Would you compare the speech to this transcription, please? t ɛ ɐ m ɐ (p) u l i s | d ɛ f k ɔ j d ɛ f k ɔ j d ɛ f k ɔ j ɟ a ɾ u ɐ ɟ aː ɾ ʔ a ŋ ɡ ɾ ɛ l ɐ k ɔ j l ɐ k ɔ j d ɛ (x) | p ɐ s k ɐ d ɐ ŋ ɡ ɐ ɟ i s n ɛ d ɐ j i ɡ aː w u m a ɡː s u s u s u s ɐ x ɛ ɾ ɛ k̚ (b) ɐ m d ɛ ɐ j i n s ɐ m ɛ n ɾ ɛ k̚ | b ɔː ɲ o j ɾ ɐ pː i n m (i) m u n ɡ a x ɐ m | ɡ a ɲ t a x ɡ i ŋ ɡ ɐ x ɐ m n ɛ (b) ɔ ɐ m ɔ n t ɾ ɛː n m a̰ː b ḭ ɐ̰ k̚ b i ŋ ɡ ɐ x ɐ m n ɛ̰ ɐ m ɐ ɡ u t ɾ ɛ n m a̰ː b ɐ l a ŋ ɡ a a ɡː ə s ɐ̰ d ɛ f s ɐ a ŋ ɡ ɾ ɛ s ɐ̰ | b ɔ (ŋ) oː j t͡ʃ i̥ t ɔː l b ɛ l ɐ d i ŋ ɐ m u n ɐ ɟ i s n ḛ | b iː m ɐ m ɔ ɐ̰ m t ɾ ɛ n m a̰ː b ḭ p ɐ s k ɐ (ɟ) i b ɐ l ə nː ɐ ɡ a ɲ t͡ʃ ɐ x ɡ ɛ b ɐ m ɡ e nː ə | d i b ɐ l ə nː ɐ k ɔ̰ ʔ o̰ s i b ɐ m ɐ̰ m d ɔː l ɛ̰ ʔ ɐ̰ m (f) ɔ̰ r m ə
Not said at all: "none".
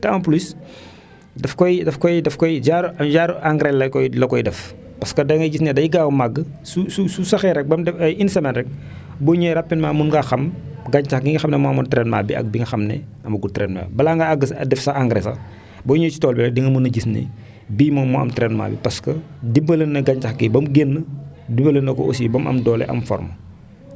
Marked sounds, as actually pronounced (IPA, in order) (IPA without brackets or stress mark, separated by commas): p, f, b, a, m, ɲ, d, f